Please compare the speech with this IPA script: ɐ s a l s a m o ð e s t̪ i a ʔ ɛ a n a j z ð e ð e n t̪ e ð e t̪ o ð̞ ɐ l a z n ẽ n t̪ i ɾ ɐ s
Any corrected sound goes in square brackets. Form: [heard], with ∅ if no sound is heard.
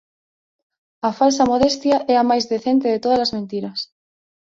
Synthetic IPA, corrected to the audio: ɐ [f] a l s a m o ð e s t̪ [j] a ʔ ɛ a [m] a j z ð e [θ] e n t̪ e ð e t̪ o ð̞ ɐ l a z [m] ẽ n t̪ i ɾ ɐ s